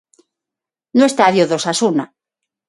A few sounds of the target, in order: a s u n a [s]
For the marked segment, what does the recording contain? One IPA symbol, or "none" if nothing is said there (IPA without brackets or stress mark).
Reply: none